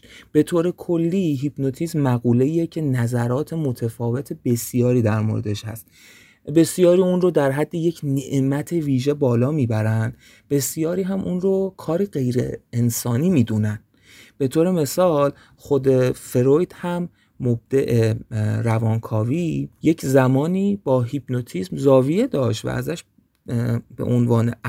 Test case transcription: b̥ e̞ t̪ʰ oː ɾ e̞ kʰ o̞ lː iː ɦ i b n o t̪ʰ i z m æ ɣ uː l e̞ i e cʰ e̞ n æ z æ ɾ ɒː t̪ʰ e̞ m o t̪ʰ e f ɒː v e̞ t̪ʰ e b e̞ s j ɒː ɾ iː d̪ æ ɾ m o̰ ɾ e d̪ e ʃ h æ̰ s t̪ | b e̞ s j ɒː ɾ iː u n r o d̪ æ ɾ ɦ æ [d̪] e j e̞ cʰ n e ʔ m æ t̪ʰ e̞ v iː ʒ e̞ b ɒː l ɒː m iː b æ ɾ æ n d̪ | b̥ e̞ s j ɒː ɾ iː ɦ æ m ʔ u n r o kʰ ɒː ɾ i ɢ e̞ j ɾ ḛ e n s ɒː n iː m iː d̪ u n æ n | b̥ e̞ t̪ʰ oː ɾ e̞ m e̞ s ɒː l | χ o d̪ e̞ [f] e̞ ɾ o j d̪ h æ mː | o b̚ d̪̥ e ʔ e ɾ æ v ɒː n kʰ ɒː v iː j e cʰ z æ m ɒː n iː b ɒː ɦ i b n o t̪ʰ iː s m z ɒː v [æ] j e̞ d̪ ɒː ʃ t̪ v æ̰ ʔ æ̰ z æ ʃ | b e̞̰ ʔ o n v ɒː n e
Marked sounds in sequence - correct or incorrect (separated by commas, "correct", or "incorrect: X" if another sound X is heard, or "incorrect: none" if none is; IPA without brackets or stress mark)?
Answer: incorrect: d̪ː, correct, incorrect: i